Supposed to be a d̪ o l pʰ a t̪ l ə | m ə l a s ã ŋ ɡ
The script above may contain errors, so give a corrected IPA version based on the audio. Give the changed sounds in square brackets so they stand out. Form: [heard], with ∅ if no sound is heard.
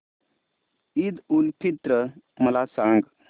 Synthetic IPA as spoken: [i] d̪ [u] l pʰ [i] t̪ [ɾ] ə | m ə l a s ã ŋ ɡ